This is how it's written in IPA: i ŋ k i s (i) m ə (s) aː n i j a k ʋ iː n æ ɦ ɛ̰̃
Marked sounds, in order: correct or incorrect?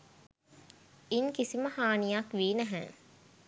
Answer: correct, incorrect: h

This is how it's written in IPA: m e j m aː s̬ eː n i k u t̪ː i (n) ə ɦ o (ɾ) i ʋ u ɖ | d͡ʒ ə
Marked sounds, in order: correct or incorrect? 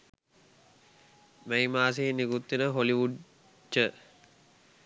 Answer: correct, incorrect: l

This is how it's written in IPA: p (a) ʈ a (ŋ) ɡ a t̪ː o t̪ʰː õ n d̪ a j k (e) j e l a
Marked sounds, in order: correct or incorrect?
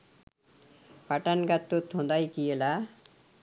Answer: correct, incorrect: n, incorrect: i

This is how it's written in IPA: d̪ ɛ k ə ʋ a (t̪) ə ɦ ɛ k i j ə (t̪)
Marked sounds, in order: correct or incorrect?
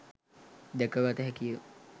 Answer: correct, incorrect: none

